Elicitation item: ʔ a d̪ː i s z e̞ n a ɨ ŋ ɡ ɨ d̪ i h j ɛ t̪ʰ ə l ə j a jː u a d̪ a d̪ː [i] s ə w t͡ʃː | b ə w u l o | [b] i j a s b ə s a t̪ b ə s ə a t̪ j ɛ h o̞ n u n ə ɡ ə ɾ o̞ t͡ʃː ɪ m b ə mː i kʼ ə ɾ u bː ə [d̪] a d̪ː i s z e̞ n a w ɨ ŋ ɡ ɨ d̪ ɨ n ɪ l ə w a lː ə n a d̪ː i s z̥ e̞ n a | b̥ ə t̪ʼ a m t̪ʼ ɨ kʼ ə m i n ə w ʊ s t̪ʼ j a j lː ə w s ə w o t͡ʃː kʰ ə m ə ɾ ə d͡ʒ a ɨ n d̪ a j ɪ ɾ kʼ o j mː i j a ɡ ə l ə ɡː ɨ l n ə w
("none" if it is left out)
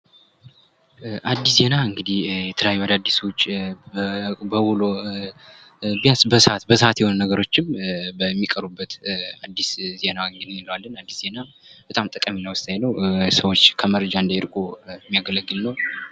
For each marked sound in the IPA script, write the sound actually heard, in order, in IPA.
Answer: i, b, t̪

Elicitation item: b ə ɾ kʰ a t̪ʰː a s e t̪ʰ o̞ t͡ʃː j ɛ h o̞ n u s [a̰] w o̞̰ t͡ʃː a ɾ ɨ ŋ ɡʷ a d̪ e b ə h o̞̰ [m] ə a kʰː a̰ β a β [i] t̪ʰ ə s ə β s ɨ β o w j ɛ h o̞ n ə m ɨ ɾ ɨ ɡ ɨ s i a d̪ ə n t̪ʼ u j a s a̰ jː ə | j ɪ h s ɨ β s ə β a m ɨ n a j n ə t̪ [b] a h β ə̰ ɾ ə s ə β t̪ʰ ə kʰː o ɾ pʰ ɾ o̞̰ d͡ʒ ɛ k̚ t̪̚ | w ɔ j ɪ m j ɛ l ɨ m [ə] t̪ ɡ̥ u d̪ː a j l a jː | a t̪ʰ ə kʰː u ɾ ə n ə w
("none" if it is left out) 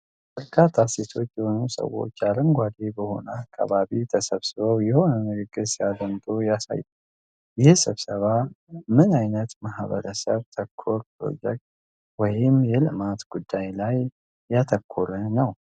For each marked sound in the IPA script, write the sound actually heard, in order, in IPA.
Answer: ə̰, n, i, m, a

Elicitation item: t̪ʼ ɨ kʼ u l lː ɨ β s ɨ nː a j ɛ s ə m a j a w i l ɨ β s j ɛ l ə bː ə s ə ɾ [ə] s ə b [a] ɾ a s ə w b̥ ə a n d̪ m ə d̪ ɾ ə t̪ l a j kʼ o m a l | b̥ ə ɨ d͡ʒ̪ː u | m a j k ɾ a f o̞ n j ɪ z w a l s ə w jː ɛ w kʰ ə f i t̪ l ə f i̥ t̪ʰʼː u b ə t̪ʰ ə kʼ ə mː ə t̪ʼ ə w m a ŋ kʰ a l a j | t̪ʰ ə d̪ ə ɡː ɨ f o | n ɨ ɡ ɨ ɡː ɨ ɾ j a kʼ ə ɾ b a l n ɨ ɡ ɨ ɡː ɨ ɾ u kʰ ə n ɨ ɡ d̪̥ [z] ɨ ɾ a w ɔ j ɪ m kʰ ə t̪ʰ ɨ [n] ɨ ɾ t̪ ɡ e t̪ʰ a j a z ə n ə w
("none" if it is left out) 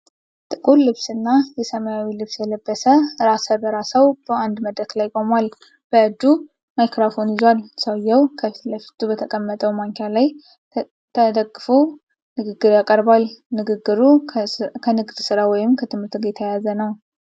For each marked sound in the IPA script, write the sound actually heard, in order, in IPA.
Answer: a, ə, s, m

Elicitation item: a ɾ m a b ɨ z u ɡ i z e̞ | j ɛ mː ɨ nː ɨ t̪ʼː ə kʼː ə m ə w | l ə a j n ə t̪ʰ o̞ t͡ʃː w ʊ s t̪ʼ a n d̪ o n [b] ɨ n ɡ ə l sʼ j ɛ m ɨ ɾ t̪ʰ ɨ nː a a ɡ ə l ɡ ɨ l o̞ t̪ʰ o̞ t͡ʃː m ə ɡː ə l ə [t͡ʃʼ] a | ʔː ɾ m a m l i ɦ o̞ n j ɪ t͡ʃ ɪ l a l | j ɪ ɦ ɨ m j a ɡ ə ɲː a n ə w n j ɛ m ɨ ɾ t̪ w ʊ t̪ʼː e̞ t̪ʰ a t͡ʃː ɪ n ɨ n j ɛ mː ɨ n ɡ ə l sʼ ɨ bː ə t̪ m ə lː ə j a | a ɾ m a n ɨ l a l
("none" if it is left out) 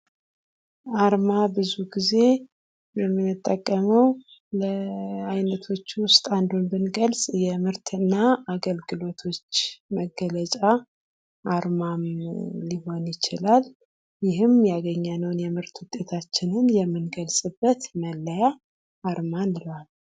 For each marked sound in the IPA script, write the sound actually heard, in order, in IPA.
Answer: b, t͡ʃʼ

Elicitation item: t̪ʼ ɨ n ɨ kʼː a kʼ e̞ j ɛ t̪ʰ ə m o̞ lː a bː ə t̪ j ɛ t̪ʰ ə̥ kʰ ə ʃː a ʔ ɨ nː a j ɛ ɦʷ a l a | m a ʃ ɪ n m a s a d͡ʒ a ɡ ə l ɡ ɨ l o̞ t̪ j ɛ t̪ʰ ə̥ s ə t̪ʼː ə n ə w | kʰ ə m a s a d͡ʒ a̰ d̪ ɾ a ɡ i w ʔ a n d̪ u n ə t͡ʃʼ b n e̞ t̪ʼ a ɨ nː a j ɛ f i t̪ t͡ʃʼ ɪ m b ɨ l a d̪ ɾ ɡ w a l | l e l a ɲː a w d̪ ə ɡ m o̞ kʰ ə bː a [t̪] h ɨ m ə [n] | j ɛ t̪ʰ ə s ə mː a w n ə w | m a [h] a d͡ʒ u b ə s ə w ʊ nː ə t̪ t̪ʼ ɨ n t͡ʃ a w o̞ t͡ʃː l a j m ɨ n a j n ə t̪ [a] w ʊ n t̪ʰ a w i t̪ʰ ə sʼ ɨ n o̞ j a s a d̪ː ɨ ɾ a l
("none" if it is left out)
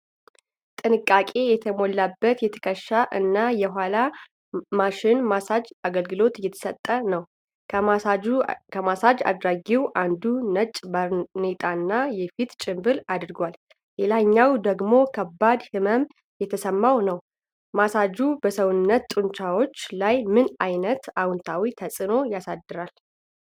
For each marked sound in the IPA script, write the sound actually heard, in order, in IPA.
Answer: d̪, m, s, a

